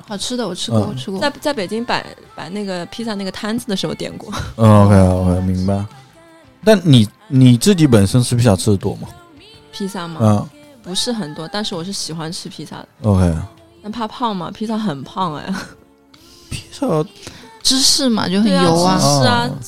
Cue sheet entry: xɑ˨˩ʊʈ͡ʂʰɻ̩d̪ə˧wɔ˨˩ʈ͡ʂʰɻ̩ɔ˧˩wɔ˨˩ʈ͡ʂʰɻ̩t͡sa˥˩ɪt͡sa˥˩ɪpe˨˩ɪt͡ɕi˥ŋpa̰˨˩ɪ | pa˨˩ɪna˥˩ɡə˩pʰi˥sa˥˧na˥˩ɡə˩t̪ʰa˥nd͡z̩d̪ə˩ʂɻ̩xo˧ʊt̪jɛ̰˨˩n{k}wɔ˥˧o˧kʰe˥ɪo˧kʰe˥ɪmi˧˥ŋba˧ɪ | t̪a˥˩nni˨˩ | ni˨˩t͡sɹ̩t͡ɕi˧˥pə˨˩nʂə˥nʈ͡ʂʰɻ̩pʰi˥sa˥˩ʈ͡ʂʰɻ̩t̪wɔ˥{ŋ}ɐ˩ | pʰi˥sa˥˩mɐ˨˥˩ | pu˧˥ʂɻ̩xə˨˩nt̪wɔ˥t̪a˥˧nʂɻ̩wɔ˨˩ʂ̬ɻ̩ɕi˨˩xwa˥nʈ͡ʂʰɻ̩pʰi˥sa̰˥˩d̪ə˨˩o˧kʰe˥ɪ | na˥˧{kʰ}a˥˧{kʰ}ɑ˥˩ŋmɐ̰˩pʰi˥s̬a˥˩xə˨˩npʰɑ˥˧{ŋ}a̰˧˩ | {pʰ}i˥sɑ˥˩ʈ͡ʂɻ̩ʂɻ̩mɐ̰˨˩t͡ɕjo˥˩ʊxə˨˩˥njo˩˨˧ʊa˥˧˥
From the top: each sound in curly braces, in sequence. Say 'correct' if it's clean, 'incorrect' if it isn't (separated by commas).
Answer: correct, incorrect, incorrect, incorrect, correct, correct